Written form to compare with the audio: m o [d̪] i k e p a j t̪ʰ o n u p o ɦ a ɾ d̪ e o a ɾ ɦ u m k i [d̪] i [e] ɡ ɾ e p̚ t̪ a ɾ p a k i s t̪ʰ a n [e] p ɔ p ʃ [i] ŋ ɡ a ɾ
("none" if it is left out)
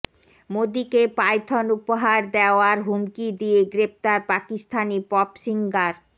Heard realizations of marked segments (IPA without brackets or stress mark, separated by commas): d̪, d̪, e, i, i